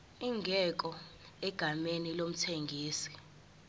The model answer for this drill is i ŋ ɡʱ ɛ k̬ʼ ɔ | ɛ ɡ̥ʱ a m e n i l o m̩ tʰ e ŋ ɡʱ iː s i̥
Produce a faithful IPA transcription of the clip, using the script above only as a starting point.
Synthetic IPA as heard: i ŋ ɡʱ ɛ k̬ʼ ɔ | ɛ ɡ̥ʱ a m e n i l o m̩ tʰ e ŋ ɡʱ iː s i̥